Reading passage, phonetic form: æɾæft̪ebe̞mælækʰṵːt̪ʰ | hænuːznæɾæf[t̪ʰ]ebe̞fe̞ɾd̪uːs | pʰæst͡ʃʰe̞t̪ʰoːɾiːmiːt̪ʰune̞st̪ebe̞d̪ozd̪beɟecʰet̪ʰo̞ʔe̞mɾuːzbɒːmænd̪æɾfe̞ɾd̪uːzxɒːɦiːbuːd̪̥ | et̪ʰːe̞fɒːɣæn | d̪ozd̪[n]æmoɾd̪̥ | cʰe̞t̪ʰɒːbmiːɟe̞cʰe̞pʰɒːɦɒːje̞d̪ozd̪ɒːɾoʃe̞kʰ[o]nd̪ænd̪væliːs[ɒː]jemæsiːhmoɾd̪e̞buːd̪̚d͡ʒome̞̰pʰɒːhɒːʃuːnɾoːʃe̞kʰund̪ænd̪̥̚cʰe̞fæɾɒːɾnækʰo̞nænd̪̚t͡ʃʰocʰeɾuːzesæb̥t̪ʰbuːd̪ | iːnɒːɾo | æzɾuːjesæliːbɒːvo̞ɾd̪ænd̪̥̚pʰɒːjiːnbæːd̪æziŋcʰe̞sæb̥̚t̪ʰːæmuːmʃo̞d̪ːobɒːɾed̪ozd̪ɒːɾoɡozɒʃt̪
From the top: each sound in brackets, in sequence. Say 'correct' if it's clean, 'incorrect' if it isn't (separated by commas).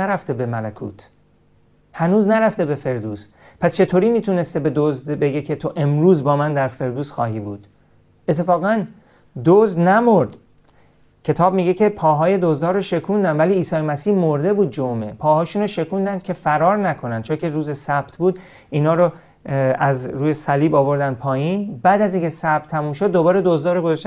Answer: incorrect, correct, incorrect, correct